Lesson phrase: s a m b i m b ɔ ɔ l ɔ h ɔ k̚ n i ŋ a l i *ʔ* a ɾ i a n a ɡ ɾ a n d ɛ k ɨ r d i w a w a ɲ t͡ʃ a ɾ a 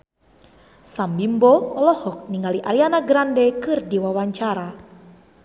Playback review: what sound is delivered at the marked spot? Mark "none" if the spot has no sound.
ʔ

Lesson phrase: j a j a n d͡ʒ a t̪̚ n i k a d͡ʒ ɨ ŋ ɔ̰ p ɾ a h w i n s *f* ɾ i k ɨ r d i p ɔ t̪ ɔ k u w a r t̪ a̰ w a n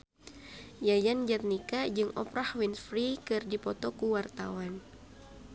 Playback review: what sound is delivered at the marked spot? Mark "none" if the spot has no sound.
f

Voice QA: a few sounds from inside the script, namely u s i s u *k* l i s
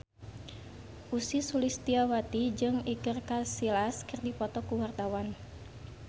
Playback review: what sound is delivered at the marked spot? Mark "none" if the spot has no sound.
none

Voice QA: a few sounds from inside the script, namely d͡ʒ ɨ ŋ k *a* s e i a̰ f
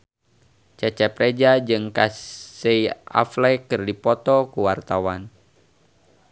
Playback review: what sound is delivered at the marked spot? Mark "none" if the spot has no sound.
a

